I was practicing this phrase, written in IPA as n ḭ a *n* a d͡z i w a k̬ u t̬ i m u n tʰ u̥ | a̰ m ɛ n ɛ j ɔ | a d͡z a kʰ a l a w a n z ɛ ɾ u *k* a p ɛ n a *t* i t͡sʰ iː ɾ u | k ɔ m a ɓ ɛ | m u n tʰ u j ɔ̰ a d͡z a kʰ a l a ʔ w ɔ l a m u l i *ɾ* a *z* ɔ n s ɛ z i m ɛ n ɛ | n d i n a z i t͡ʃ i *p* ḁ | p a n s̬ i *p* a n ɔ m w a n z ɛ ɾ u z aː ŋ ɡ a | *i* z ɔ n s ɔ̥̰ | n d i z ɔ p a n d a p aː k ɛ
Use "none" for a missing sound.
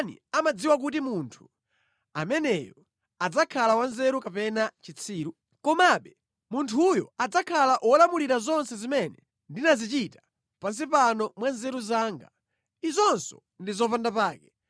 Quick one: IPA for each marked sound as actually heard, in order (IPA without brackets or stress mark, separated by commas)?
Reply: m, k, t͡ʃ, ɾ, z, t, p, i